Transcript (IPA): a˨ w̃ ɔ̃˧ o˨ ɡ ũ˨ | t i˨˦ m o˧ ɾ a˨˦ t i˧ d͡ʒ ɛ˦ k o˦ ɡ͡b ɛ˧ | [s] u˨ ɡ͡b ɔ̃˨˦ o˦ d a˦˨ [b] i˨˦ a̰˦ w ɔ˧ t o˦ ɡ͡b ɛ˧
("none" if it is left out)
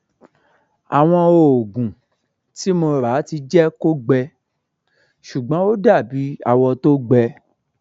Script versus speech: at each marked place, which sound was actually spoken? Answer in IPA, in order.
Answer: ʃ, b

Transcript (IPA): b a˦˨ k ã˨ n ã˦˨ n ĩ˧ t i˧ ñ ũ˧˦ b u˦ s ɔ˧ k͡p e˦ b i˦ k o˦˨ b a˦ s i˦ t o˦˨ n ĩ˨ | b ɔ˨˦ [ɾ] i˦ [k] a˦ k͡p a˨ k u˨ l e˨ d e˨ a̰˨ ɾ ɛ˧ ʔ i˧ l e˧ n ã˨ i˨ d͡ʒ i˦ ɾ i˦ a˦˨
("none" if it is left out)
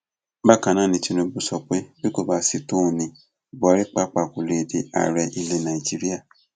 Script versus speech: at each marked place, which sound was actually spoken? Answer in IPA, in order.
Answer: ɾ, k͡p

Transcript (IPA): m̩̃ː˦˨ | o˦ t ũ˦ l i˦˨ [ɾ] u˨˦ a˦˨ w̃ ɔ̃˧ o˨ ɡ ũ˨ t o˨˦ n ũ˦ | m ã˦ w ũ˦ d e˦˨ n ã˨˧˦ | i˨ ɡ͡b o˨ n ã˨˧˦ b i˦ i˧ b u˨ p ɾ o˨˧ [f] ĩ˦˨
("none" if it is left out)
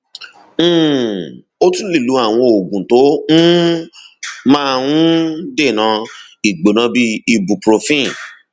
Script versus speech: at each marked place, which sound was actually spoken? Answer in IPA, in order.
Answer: l, f

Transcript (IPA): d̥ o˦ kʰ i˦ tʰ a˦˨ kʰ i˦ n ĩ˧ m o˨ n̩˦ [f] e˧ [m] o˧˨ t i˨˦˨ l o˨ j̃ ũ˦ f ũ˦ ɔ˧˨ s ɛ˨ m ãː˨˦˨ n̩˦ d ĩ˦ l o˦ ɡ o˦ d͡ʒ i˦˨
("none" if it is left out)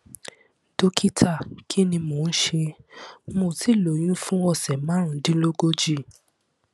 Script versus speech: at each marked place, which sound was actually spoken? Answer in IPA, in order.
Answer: ʃ, m

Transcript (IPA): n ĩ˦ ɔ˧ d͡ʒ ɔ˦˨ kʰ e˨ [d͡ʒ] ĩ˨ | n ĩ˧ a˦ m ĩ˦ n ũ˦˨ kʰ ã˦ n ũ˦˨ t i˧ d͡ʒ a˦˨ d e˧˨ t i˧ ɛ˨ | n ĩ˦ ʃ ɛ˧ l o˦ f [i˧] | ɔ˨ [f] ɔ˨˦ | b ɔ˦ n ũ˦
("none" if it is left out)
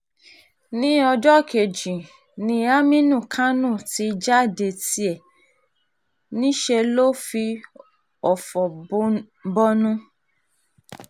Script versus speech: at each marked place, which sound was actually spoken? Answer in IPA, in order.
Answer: d͡ʒ, i˧, f

